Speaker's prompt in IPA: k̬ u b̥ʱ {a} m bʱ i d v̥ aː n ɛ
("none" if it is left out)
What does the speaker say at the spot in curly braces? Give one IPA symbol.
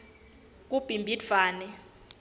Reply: i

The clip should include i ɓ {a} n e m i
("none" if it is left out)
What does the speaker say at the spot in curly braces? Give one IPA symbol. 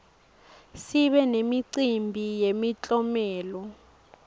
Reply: ɛ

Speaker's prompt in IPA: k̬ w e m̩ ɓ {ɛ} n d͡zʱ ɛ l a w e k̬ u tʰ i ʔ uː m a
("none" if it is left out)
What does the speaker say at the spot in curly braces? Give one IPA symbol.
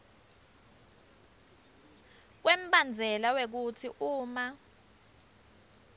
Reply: a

